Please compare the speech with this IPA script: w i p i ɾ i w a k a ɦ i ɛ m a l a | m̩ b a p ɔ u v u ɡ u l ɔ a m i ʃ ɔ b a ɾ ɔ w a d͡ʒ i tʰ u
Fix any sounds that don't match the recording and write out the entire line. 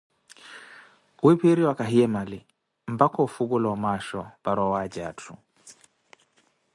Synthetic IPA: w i p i ɾ i w a k a ɦ i ɛ m a l i | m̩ b a k ɔ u f u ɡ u l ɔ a m a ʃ ɔ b a ɾ ɔ w a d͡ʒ a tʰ u